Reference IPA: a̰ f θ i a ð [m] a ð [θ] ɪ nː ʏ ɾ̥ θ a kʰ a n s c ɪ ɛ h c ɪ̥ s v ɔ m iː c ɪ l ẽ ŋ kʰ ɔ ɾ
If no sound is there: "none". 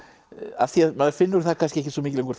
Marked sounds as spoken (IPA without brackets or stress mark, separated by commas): m, f